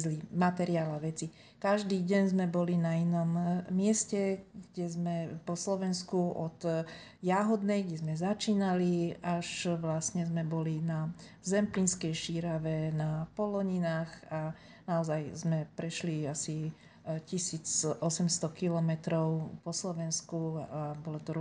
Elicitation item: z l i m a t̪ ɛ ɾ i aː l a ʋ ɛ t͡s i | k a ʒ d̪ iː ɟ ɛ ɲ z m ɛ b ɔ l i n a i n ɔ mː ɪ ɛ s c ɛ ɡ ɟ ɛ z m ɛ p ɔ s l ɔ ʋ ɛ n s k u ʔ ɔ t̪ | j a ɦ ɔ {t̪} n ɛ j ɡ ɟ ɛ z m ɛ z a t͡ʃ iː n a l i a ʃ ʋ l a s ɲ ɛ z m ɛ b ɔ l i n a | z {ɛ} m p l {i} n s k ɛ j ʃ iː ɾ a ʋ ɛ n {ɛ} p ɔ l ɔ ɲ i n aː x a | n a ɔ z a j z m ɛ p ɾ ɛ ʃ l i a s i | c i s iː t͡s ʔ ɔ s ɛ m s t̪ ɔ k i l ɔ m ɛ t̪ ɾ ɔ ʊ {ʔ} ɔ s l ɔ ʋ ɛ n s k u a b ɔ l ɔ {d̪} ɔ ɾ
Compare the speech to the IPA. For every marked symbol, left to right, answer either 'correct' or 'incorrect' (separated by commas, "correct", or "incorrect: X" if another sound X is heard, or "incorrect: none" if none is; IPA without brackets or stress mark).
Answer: incorrect: d̪, correct, correct, incorrect: a, incorrect: p, incorrect: t̪